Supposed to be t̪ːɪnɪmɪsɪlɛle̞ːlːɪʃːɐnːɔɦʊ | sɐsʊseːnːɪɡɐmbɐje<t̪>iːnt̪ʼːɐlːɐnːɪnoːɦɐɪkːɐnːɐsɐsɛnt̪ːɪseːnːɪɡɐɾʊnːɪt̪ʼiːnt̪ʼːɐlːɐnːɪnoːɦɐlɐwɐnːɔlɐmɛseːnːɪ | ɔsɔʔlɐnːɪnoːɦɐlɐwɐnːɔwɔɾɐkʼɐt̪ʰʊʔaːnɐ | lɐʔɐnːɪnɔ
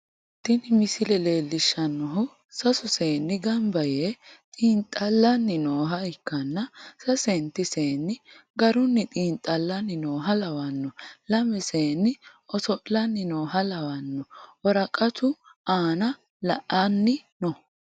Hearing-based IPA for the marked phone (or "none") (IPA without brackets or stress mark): t̪ʼ